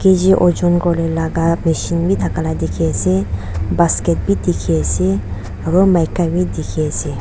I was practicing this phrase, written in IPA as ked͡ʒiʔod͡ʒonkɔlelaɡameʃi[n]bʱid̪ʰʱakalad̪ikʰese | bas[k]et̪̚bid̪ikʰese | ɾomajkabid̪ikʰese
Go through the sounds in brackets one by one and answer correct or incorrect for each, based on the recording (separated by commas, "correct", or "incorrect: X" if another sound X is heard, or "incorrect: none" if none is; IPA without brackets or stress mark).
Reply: correct, correct